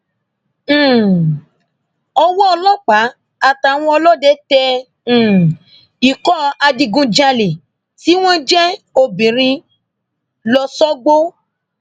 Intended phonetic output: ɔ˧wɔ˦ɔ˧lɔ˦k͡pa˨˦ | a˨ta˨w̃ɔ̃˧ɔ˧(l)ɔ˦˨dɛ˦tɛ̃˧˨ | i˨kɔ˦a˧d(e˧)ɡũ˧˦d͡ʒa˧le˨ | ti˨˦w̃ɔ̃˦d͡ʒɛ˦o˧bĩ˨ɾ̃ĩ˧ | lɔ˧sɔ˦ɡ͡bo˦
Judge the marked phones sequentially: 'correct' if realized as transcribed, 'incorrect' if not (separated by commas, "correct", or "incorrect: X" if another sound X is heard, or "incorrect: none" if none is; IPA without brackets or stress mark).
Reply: correct, incorrect: i˧